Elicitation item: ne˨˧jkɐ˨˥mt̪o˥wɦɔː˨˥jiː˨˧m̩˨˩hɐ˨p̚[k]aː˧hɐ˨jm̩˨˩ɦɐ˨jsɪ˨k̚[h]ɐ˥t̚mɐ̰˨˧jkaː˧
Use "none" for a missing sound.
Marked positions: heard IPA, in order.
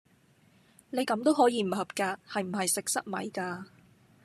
k, s

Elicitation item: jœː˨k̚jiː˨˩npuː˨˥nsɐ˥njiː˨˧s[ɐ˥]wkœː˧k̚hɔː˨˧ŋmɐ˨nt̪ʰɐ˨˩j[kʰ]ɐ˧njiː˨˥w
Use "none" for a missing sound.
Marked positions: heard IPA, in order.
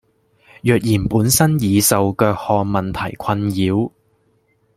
ɐ˨, kʰ

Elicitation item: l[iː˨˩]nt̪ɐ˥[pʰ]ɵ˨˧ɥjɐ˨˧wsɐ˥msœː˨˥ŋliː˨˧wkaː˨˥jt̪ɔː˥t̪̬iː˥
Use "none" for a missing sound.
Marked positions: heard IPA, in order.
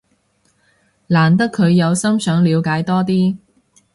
aː˨˩, kʰ

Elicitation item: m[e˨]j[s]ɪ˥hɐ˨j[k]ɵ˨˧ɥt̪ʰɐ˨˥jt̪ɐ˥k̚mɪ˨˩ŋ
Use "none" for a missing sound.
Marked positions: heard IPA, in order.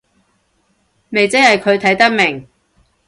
e˨, t͡s, kʰ

